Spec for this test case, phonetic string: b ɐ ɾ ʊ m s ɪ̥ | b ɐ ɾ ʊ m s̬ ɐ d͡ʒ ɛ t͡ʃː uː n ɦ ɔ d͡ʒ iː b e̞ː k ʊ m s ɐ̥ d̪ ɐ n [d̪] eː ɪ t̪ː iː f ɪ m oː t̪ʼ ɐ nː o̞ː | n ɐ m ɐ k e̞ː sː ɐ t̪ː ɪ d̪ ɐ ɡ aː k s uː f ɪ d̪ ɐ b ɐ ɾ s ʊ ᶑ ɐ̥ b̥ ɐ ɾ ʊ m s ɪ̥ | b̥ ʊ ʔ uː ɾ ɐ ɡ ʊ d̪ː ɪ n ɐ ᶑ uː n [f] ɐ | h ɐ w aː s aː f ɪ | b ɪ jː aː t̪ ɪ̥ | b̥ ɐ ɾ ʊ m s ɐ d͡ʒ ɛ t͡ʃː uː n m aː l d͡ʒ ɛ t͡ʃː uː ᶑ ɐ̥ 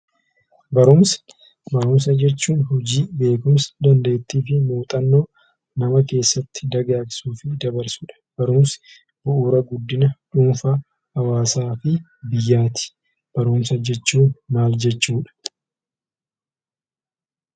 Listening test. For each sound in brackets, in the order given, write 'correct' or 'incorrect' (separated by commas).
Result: correct, correct